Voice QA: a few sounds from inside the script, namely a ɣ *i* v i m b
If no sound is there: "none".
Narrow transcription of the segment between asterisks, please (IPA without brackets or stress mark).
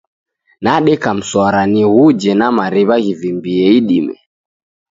i